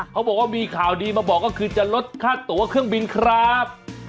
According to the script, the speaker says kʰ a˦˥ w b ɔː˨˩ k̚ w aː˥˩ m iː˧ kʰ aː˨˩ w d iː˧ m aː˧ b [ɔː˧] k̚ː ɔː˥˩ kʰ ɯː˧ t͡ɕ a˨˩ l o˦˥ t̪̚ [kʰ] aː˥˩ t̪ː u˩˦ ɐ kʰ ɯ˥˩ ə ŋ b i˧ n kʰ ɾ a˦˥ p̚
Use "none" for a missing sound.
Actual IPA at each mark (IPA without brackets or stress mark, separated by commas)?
ɔː˨˩, kʰ